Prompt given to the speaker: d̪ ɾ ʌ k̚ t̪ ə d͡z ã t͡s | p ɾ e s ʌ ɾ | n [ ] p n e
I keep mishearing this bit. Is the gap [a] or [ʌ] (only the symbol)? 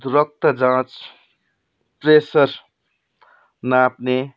a